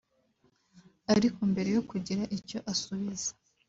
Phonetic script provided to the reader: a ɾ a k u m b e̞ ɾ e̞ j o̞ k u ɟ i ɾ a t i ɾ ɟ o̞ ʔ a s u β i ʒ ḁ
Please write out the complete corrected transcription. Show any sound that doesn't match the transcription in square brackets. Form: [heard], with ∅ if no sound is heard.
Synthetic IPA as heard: a ɾ [i] k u m b e̞ ɾ e̞ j o̞ k u ɟ i ɾ a [ʔ] i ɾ [c] o̞ ʔ a s u β i [z] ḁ